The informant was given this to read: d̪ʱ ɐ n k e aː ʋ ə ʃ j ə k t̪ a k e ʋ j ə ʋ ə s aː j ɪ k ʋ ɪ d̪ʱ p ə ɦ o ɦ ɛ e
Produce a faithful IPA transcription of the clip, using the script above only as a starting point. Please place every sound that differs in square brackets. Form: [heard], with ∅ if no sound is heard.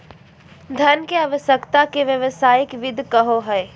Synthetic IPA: d̪ʱ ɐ n k e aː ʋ ə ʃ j ə k t̪ a k e ʋ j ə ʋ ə s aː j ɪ k ʋ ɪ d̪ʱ [k] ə ɦ o ɦ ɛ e